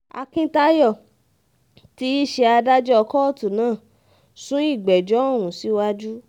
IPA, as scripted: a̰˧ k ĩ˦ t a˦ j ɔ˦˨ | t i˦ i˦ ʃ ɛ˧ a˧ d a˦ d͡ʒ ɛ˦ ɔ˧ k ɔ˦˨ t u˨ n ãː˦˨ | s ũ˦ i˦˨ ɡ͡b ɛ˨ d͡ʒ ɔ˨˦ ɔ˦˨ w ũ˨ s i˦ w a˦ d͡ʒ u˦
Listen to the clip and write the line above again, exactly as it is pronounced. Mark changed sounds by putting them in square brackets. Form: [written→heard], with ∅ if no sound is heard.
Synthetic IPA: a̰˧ k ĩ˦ t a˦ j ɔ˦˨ | t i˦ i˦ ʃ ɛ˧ a˧ d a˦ d͡ʒ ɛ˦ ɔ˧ k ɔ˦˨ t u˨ n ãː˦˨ | s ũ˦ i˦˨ ɡ͡b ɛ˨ d͡ʒ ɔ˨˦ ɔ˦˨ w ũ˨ s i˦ w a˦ d͡ʒ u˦